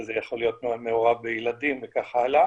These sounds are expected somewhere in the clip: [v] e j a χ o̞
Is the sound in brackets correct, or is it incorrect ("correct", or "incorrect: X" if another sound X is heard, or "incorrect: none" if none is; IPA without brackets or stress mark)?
incorrect: z